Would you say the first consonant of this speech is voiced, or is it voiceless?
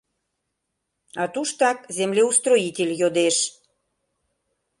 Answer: voiceless